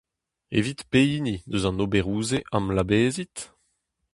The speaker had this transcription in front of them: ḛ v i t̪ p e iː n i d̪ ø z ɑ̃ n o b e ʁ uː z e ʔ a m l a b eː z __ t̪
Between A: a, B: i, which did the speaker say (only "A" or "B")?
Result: B